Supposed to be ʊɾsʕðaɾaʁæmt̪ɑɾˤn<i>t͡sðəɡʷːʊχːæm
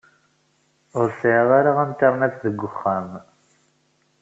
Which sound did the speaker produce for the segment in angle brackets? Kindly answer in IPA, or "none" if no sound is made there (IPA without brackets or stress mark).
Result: æ